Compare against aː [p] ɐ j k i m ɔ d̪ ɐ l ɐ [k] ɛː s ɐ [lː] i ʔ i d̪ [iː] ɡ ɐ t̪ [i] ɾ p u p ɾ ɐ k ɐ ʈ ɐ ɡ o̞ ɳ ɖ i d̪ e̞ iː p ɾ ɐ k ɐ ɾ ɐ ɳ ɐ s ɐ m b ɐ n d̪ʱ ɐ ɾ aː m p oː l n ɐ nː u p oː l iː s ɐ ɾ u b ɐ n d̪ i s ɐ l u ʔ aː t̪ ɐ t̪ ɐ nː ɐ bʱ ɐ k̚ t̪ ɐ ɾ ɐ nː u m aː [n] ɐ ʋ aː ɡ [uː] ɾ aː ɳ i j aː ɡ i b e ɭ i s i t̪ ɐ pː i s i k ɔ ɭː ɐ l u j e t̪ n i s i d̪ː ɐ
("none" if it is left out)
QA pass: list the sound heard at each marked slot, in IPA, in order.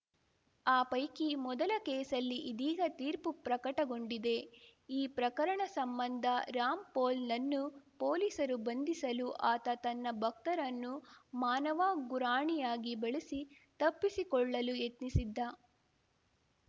p, k, lː, iː, iː, n, u

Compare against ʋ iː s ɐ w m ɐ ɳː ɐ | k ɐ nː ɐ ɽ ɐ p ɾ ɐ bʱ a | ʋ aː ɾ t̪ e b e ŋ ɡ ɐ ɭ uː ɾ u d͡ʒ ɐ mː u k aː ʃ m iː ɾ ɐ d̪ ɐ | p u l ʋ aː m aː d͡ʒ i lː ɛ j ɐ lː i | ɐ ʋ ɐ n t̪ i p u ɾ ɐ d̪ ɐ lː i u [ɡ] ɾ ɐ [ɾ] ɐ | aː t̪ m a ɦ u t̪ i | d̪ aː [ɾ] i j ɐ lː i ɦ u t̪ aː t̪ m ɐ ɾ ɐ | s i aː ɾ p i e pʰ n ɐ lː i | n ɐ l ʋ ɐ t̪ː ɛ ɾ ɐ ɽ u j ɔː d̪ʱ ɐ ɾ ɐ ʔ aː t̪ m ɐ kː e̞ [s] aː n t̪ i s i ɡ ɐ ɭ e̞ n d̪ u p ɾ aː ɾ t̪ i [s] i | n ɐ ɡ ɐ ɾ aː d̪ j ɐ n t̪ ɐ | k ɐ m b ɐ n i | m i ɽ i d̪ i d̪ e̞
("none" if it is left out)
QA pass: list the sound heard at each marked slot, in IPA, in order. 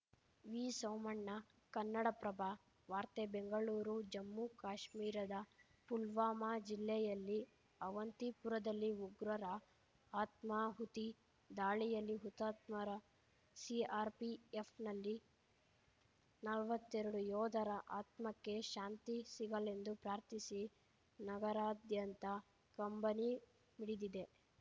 ɡ, ɾ, ɭ, ʃ, s

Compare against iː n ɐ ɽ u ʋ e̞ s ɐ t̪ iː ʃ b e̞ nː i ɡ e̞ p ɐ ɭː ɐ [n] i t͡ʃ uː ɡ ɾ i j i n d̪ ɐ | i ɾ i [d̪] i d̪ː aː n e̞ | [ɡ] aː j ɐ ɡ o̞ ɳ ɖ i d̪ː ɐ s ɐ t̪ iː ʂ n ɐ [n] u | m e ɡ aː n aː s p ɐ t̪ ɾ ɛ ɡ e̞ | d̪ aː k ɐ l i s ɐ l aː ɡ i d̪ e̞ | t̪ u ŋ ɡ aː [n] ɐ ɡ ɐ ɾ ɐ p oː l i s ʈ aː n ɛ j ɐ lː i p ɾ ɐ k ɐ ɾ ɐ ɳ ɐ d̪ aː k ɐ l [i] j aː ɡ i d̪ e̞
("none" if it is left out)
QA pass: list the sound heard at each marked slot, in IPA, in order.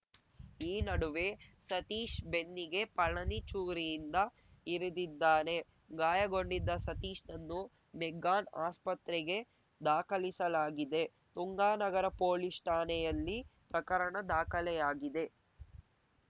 n, d̪, ɡ, nː, n, ɛ

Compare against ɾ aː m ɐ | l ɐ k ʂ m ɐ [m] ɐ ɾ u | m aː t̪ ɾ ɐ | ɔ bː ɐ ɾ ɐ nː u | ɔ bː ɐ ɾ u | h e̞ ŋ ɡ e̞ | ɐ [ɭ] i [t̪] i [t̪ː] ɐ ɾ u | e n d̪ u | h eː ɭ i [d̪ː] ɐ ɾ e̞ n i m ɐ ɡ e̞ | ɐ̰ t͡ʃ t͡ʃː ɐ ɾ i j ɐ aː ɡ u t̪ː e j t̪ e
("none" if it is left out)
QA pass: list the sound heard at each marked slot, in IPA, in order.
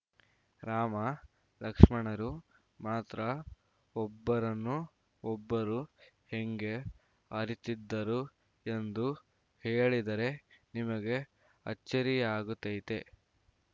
ɳ, ɾ, t̪, d̪ː, d̪

